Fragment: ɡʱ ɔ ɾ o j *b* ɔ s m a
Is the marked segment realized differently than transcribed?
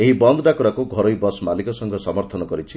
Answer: no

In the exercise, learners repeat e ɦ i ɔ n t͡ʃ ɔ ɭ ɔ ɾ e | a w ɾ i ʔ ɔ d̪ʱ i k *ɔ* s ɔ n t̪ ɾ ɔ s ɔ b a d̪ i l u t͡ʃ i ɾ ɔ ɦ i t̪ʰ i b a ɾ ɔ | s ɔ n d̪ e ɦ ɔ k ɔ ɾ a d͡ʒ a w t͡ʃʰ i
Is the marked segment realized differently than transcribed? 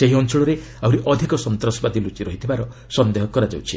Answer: no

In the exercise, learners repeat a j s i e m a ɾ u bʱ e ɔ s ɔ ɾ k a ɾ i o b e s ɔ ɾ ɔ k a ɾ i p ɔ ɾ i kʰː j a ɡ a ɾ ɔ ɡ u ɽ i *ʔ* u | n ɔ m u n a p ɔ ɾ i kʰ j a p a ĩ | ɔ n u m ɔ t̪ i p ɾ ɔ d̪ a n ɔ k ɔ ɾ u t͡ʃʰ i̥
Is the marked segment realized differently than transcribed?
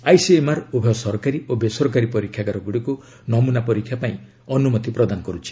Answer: yes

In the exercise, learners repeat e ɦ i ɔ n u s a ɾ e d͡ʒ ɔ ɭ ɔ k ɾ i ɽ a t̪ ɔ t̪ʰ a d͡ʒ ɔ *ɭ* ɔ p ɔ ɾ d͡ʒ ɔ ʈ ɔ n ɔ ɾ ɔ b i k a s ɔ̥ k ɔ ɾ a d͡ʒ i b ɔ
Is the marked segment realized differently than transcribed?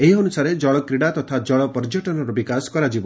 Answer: no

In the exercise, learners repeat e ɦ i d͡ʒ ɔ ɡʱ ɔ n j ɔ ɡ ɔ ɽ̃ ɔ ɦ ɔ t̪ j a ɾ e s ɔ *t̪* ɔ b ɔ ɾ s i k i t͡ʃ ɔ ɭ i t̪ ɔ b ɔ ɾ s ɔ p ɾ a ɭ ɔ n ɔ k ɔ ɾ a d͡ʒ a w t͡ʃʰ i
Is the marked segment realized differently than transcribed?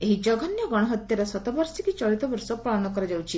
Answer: no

